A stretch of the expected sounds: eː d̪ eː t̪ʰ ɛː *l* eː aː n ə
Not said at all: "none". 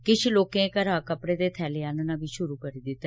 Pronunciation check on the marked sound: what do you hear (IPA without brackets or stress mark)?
l